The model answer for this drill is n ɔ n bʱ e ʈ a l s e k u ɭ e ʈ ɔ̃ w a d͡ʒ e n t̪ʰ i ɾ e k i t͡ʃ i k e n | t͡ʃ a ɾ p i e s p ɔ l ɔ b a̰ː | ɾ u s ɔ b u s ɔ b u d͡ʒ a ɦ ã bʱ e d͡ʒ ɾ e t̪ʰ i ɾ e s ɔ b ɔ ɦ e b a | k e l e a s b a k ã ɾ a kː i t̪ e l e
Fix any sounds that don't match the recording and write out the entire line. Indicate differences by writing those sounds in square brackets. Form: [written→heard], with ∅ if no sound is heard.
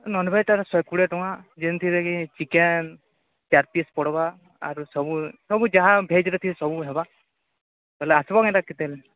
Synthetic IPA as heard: n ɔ n bʱ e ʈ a [l→ɾ] s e k u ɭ e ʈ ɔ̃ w a d͡ʒ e n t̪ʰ i ɾ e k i t͡ʃ i k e n | t͡ʃ a ɾ p i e s p ɔ [l→ɽ] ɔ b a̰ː | ɾ u s ɔ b u s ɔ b u d͡ʒ a ɦ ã bʱ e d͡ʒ ɾ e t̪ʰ i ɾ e s ɔ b [ɔ→u] ɦ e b a | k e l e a s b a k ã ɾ a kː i t̪ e l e